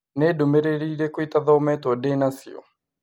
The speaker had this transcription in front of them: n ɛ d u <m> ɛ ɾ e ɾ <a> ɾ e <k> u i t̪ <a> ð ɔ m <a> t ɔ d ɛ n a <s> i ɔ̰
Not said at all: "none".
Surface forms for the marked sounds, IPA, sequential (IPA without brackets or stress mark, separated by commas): m, i, k, a, ɛ, s